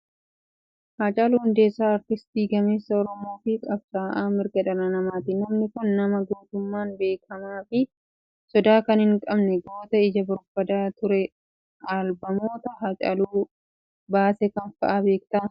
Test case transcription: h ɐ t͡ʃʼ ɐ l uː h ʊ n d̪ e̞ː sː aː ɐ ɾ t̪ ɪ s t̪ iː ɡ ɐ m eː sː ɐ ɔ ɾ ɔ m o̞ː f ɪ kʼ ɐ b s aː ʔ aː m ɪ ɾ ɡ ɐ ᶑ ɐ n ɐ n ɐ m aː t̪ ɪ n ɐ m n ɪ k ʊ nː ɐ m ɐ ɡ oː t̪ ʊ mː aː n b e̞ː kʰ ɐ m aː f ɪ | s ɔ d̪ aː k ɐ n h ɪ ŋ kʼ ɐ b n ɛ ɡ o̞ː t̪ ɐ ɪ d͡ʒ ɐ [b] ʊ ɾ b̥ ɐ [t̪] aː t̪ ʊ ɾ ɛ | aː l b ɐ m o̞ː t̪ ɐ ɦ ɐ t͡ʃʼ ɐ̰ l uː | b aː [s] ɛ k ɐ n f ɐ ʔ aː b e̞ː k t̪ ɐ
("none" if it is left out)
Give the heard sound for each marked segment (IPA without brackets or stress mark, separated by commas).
b, d̪, s